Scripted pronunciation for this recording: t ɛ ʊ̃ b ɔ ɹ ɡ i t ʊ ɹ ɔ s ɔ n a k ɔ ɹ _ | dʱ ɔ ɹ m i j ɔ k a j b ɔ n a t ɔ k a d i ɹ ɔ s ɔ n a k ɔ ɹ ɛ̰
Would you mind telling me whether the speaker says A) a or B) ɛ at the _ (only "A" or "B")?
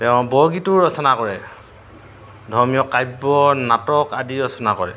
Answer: B